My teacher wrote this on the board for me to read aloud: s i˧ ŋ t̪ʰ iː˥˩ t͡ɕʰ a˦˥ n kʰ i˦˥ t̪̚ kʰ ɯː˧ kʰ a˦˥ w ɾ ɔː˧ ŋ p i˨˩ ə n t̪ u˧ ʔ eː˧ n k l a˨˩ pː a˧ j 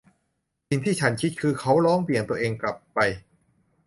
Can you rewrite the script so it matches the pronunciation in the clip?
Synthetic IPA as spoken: s i˧ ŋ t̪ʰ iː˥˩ t͡ɕʰ a˦˥ n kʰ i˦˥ t̪̚ kʰ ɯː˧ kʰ a˦˥ w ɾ ɔː˦˥ ŋ p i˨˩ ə n t̪ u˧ ʔ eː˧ ŋ k l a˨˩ pː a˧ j